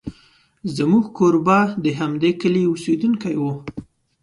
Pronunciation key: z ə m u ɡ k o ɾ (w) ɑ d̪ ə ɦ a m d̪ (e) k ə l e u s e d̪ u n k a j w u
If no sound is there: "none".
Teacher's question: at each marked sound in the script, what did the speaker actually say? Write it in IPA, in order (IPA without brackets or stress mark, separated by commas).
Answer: b, e